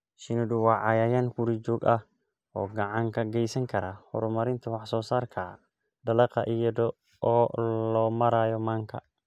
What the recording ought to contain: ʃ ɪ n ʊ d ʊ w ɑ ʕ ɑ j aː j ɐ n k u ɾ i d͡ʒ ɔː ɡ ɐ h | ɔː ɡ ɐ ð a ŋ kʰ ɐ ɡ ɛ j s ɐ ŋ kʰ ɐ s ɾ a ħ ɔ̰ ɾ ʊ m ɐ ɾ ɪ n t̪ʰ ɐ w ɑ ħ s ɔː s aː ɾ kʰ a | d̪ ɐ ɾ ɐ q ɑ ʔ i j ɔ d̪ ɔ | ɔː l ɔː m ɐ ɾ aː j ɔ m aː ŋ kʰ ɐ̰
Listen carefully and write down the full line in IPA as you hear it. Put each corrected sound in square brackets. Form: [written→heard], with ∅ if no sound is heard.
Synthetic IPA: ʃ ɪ n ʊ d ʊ w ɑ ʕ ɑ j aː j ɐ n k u ɾ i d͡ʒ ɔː ɡ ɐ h | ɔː ɡ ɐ [ð→ʕ] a ŋ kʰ ɐ ɡ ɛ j s ɐ ŋ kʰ ɐ [s→∅] ɾ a [ħ→h] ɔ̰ ɾ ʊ m ɐ ɾ ɪ n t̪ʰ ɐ w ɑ ħ s ɔː s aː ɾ kʰ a | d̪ ɐ [ɾ→l] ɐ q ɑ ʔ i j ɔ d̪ ɔ | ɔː l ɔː m ɐ ɾ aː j ɔ m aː ŋ kʰ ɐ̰